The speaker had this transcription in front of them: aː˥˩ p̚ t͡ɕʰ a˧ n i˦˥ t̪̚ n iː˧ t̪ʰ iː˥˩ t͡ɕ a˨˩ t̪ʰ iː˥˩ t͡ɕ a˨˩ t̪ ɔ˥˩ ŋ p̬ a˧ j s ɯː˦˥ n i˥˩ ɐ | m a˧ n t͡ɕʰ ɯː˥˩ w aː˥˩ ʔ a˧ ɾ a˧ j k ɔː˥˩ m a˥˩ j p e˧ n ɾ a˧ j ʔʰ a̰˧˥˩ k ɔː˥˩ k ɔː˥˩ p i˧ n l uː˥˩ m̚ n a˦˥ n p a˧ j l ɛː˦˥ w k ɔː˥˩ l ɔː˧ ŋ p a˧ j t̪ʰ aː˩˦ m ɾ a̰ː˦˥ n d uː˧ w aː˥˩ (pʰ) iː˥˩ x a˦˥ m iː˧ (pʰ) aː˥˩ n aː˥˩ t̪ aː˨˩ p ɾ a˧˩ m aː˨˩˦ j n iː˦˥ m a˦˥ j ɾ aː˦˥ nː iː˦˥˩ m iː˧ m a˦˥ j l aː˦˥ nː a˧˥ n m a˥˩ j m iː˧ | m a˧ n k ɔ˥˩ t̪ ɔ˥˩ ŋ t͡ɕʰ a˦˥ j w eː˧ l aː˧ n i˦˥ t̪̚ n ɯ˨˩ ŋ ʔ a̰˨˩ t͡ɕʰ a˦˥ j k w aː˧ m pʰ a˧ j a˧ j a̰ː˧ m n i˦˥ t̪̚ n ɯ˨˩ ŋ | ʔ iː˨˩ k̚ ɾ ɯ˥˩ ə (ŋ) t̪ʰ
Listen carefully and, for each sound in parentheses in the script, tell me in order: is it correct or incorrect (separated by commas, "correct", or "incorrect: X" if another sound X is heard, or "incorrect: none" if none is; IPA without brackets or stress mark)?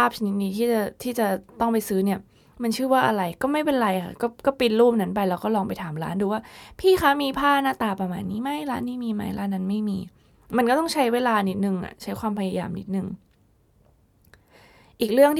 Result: correct, correct, correct